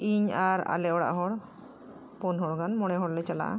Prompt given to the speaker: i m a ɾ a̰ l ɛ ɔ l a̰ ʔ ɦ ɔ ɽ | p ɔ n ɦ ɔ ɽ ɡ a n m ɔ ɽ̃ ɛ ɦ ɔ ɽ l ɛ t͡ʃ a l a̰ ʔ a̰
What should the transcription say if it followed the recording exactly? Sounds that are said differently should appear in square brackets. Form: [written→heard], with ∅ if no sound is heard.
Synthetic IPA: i [m→ɲ] a ɾ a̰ l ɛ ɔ [l→ɽ] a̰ ʔ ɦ ɔ ɽ | p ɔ n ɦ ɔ ɽ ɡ a n m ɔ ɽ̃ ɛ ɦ ɔ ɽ l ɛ t͡ʃ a l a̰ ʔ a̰